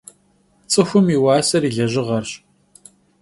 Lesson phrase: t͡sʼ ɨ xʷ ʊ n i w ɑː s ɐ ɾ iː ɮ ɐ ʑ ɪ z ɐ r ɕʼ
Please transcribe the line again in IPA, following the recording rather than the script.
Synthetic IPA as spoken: t͡sʼ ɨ xʷ ʊ m i w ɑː s ɐ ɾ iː ɮ ɐ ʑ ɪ ʁ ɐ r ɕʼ

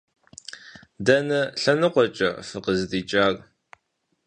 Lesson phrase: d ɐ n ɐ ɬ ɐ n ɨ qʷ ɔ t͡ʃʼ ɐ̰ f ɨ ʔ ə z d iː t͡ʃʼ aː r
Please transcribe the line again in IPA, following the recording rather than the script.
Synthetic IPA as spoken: d ɐ n ɐ ɬ ɐ n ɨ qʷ ɔ t͡ʃʼ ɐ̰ f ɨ q ə z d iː t͡ʃʼ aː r

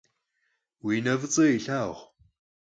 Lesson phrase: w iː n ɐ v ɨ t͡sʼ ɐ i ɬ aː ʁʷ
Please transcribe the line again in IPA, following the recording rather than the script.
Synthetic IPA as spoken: w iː n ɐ v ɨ t͡sʼ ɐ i ɬ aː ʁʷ

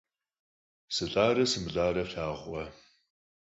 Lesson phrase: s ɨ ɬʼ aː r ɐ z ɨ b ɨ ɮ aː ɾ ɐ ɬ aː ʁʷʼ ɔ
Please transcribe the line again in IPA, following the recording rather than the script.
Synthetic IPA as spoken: s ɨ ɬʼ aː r ɐ s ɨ m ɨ ɮ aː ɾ ɐ ɬ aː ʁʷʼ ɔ

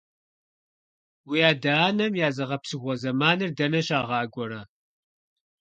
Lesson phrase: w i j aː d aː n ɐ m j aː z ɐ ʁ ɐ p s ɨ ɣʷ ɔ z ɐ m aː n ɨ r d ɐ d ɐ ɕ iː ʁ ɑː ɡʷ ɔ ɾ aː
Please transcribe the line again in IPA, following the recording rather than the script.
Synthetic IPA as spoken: w i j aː d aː n ɐ m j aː z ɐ ʁ ɐ p s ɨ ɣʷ ɔ z ɐ m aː n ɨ r d ɐ n ɐ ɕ aː ʁ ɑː ɡʷ ɔ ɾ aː

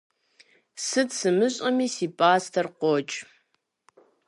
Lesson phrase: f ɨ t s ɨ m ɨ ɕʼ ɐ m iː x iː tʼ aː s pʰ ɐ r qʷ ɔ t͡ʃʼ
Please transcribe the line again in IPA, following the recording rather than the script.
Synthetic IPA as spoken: s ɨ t s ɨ m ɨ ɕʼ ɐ m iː s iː pʼ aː s tʰ ɐ r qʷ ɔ t͡ʃʼ

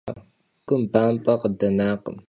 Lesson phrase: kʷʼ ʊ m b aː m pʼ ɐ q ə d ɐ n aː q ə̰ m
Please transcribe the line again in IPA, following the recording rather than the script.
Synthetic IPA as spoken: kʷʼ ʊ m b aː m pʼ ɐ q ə d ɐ n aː q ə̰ m

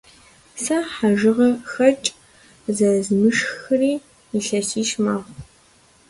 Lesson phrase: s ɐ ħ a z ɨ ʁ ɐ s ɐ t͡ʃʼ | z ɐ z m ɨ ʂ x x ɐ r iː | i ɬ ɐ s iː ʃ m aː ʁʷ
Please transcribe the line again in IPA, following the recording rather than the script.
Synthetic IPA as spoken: s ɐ ħ a ʒ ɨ ʁ ɐ x ɐ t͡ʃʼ | z ɐ z m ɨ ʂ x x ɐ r iː | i ɬ ɐ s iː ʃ m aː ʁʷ

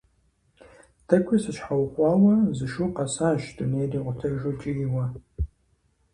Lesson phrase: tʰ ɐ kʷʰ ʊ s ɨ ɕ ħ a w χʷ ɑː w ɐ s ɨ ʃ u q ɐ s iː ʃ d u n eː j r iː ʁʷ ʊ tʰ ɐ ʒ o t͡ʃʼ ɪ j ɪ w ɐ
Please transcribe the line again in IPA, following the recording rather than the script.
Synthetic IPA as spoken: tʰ ɐ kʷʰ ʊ s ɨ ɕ ħ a w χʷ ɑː w ɐ z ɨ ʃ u q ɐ s aː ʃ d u n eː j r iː ʁʷ ʊ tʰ ɐ ʒ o t͡ʃʼ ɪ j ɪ w ɐ

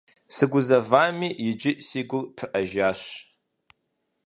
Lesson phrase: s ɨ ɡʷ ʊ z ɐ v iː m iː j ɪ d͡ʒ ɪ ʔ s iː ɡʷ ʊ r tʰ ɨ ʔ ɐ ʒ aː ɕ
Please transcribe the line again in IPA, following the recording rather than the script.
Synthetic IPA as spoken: s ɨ ɡʷ ʊ z ɐ v aː m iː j ɪ d͡ʒ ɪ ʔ s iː ɡʷ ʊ r pʰ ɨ ʔ ɐ ʒ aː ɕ

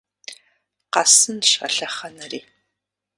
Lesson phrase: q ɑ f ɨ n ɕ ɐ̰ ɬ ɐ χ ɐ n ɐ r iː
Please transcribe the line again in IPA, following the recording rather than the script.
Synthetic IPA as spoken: q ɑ s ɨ n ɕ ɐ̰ ɬ ɐ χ ɐ n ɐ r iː

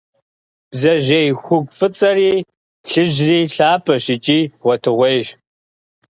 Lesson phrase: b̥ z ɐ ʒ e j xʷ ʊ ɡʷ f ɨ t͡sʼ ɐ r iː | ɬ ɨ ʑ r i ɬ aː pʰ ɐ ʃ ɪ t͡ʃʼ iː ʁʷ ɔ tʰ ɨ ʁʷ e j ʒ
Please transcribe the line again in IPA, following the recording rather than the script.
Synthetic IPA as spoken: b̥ z ɐ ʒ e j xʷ ʊ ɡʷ f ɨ t͡sʼ ɐ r iː | ɬ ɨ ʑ r iː ɬ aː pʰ ɐ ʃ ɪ t͡ʃʼ iː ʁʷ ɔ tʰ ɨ ʁʷ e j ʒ

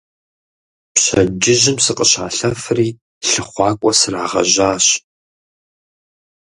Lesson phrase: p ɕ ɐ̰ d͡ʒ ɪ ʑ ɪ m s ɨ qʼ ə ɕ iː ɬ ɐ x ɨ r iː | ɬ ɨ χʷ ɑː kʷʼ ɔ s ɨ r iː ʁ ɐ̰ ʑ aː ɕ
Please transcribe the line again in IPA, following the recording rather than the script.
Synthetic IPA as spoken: p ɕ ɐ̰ d͡ʒ ɪ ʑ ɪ m s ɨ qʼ ə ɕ aː ɬ ɐ f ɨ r iː | ɬ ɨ χʷ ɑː kʷʼ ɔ s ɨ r aː ʁ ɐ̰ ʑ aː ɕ

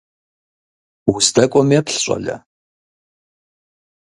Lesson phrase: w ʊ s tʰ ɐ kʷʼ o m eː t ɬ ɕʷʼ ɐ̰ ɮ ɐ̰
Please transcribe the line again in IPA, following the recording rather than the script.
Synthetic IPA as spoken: w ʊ s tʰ ɐ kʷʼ ɔ m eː p ɬ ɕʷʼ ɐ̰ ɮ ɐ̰

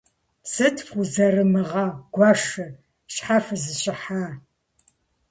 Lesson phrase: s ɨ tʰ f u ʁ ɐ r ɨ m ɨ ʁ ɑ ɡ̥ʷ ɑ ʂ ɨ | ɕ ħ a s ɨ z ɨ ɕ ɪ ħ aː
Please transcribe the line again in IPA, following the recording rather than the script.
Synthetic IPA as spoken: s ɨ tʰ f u z ɐ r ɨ m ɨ ʁ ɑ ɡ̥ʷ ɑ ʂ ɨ | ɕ ħ a f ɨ z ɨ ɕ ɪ ħ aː

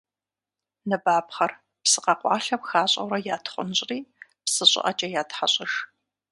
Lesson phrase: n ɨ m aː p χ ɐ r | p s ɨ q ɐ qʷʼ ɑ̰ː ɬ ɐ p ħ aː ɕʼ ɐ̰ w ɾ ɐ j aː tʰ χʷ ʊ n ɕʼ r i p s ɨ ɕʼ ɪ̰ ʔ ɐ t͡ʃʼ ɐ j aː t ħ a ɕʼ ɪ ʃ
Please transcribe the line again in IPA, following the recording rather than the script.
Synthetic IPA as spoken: n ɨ b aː p χ ɐ r | p s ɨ q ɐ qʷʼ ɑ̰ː ɬ ɐ p x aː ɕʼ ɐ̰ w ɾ ɐ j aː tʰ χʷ ʊ n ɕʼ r iː p s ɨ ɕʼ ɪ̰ ʔ ɐ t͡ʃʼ ɐ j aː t ħ a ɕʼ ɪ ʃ

